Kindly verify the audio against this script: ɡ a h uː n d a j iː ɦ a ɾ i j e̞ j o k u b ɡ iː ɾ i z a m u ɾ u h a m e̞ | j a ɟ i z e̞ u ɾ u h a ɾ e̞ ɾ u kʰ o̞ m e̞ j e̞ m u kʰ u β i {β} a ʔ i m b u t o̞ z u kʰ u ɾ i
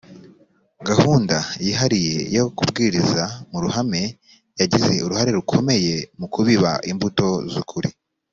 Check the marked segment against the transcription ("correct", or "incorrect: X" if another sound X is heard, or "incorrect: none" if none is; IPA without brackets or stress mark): correct